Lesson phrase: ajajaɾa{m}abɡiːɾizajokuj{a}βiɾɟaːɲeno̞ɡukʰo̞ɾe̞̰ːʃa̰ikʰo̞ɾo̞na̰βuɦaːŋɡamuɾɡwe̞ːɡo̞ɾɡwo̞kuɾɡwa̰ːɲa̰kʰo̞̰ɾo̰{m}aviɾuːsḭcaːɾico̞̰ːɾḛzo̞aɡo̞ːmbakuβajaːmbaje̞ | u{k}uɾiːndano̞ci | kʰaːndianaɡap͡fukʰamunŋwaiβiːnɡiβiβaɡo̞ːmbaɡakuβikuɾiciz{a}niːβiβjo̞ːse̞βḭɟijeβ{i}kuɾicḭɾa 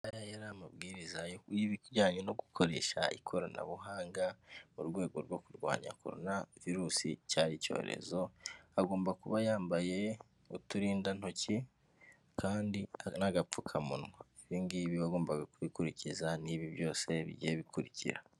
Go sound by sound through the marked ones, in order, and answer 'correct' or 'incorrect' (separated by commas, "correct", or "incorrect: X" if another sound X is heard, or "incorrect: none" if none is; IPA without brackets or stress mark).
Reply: correct, incorrect: i, incorrect: n, incorrect: t, correct, correct